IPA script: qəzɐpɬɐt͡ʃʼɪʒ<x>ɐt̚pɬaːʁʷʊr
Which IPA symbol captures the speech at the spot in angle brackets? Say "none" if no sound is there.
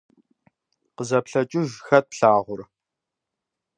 x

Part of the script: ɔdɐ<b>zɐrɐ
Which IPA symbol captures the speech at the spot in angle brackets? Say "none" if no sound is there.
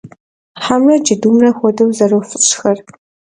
w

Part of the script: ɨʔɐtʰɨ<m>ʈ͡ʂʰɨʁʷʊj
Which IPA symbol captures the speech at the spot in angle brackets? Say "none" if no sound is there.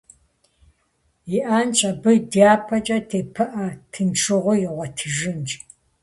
n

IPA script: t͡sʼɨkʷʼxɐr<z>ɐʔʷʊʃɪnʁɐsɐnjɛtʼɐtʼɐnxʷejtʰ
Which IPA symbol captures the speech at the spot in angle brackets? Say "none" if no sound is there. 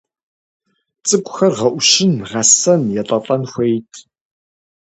ʁ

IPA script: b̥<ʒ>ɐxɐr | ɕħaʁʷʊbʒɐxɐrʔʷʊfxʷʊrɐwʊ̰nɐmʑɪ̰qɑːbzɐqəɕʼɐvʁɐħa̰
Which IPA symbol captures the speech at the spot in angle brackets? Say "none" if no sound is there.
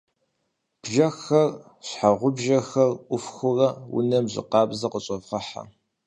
ʒ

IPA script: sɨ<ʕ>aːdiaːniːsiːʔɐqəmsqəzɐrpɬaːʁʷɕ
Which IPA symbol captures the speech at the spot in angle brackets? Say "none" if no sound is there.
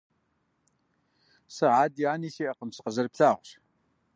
ʕ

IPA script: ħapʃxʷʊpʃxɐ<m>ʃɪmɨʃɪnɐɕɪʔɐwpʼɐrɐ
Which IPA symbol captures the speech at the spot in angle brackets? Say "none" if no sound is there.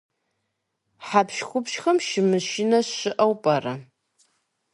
m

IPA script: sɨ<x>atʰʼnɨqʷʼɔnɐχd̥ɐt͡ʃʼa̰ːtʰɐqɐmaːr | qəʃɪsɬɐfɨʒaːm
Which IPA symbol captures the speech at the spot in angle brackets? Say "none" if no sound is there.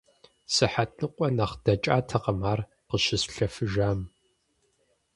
ħ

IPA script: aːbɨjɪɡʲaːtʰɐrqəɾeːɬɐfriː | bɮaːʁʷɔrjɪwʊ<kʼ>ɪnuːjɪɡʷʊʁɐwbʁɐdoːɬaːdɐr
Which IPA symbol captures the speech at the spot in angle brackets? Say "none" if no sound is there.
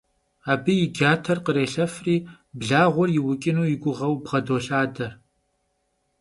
kʼ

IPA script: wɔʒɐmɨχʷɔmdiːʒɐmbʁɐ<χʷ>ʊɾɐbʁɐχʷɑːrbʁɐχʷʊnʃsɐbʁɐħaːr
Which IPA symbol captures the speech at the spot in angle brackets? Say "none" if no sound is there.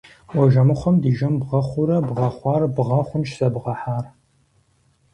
χʷ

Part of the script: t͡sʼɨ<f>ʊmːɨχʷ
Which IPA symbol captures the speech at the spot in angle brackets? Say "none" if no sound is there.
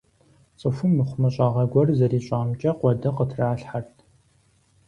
f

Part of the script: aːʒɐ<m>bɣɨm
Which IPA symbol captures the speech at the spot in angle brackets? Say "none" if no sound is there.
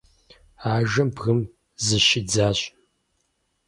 m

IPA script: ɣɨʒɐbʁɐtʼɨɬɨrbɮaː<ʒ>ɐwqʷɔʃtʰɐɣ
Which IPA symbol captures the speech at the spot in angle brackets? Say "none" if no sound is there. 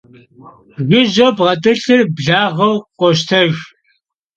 ʁ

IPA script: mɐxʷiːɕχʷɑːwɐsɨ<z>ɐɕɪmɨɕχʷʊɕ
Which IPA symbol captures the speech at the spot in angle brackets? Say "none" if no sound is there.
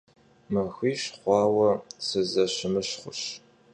z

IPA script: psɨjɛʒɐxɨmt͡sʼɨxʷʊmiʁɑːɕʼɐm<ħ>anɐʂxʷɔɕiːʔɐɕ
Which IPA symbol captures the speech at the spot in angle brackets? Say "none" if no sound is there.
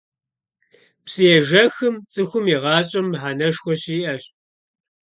ħ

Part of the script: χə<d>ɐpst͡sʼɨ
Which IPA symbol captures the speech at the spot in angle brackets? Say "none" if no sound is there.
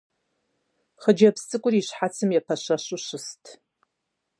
d͡ʒ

